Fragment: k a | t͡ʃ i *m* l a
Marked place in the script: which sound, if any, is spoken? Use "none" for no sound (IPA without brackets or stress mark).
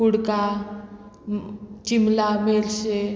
m